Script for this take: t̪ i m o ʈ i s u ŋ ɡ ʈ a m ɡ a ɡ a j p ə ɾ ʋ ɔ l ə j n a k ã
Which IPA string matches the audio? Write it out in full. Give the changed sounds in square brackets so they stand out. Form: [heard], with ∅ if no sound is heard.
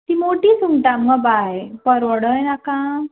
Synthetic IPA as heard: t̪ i m o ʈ i s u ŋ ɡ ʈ a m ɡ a [b] a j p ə ɾ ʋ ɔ [ɽ] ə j n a k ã